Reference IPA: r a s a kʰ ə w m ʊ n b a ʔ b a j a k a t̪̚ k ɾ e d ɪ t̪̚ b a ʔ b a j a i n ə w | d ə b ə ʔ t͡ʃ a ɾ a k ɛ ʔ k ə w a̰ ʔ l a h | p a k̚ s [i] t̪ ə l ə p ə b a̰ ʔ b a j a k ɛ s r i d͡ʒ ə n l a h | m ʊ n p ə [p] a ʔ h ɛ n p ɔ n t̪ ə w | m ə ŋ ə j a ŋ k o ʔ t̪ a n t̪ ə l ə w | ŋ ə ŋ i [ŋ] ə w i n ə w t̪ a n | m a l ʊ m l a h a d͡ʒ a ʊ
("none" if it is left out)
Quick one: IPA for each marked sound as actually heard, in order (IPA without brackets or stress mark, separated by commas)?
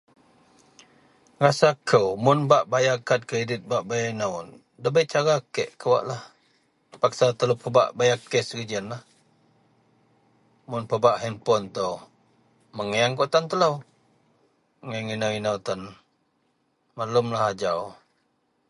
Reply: a, b, n